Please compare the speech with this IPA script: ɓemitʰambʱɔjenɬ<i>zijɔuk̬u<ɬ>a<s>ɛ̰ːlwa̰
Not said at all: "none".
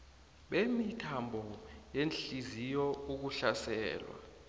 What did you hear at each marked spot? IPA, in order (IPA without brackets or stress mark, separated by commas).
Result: i, ɬ, s